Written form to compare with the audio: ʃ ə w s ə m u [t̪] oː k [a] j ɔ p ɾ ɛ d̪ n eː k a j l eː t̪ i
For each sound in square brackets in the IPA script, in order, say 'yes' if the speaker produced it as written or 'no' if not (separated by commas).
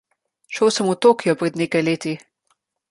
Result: yes, no